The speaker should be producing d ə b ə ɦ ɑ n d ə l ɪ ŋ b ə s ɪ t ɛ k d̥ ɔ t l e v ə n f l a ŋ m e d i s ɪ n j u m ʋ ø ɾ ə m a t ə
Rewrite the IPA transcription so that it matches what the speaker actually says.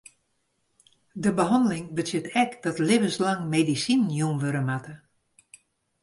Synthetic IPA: d ə b ə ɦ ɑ n d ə l ɪ ŋ b ə s ɪ t ɛ k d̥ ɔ t l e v ə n s l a ŋ m e d i s i n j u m ʋ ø ɾ ə m a t ə